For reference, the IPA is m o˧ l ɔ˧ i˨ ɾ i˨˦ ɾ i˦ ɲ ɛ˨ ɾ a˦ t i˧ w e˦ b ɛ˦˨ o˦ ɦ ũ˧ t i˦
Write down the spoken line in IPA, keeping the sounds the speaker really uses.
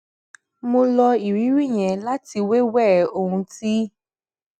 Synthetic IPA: m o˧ l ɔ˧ i˨ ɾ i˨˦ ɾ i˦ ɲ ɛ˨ l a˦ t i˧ w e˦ w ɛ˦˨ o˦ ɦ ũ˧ t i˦